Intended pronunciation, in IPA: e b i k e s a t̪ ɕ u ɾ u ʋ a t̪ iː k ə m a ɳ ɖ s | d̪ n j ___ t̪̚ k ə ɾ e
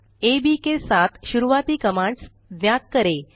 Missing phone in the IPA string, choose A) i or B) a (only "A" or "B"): B